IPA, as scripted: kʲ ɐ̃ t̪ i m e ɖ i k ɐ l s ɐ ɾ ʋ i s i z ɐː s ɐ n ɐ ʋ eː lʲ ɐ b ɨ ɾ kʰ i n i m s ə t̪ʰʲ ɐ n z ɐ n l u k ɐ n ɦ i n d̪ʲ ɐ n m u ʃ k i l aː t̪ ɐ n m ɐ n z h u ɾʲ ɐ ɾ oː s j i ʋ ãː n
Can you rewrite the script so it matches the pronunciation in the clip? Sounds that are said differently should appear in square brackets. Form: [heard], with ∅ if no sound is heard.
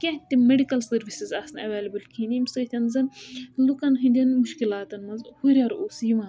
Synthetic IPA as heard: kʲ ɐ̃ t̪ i m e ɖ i k ɐ l s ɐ ɾ ʋ i s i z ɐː s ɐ n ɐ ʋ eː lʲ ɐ b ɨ [l] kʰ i n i m s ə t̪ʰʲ ɐ n z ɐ n l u k ɐ n ɦ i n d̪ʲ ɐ n m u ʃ k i l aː t̪ ɐ n m ɐ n z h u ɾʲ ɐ ɾ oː s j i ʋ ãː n